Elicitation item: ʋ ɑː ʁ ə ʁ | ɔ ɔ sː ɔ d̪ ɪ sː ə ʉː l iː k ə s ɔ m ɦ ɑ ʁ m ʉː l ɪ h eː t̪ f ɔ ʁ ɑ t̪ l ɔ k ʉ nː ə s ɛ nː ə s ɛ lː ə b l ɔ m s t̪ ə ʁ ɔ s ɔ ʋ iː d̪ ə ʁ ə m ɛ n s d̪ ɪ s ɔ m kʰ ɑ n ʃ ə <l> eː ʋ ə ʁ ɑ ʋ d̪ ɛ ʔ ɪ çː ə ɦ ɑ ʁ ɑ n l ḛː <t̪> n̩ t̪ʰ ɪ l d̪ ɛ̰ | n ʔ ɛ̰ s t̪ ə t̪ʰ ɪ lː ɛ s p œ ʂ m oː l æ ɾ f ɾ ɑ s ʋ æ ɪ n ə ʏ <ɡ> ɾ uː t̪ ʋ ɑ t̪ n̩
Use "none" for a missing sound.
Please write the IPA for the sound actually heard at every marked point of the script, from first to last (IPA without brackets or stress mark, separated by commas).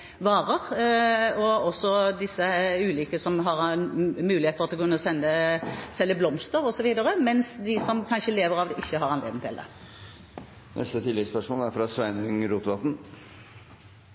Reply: l, d̪, ŋ